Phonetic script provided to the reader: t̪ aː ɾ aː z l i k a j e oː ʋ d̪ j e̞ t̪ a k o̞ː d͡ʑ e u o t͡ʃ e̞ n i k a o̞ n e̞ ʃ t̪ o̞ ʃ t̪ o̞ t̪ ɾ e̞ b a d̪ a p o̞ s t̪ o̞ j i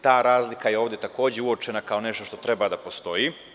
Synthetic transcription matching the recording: t̪ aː ɾ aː z l i k a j e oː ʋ d̪ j e̞ t̪ a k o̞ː d͡ʑ e u o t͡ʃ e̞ n a k a o̞ n e̞ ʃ t̪ o̞ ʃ t̪ o̞ t̪ ɾ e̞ b a d̪ a p o̞ s t̪ o̞ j i